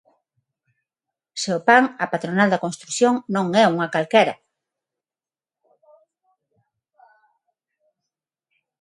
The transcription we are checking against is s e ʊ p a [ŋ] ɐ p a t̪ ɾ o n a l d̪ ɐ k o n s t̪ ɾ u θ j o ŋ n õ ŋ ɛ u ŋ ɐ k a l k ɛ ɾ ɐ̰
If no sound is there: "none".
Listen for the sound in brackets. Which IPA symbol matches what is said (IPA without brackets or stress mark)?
ŋ